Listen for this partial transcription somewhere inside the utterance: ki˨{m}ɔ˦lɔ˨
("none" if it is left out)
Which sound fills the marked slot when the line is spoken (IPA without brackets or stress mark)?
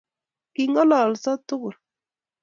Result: ŋ